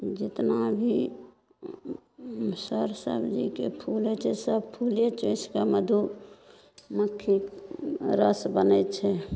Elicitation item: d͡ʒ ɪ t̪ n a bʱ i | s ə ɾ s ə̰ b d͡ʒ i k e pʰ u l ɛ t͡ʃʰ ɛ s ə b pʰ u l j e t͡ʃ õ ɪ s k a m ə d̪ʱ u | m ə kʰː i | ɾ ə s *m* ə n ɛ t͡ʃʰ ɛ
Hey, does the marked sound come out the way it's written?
no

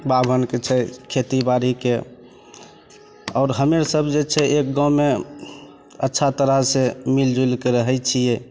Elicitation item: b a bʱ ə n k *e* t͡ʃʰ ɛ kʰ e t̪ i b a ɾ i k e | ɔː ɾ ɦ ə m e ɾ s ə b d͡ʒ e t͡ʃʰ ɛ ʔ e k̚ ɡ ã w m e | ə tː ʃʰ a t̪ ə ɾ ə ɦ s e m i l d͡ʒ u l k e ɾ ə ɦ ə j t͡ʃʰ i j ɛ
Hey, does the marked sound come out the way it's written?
yes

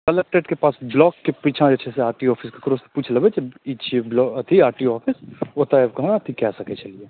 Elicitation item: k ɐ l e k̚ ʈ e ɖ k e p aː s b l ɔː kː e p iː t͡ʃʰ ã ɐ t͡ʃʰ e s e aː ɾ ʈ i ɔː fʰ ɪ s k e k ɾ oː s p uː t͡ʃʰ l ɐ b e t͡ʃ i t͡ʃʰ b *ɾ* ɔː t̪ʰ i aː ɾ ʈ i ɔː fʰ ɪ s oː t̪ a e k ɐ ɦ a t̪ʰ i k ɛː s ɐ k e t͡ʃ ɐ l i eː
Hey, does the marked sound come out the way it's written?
no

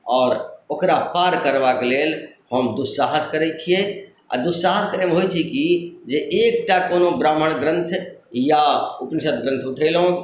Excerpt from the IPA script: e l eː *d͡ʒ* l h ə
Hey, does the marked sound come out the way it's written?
no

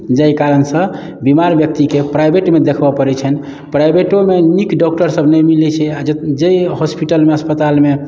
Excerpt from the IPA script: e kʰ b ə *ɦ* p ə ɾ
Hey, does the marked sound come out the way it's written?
no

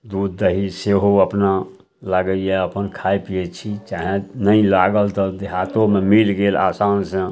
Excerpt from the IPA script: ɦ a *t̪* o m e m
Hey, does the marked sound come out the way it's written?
yes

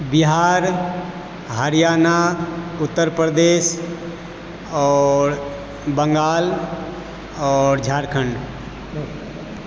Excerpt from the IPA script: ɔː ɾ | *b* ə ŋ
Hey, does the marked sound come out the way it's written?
yes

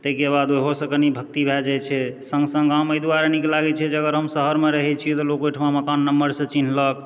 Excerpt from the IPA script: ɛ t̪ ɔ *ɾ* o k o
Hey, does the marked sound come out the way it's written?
no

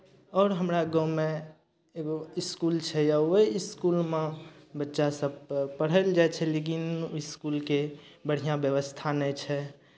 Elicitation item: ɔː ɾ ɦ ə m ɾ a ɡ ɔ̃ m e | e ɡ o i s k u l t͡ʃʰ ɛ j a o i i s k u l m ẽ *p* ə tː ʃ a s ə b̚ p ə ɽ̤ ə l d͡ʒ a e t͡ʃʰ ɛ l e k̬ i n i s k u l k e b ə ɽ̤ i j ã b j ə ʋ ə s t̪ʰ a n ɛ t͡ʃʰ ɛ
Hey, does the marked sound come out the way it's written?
no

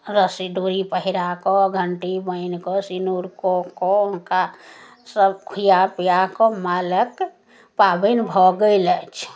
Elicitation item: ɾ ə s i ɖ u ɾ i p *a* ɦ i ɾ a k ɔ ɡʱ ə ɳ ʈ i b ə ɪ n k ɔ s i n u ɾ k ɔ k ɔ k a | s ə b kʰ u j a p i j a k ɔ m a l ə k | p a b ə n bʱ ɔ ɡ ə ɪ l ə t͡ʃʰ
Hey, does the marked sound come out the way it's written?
no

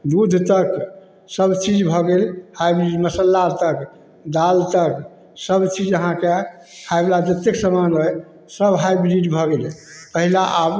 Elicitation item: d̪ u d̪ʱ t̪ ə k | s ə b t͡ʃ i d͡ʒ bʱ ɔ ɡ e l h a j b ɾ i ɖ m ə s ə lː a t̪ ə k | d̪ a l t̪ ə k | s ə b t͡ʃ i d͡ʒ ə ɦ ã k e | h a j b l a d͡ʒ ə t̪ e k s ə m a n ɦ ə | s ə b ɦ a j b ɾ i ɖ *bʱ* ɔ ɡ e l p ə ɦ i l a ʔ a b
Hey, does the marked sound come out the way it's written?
yes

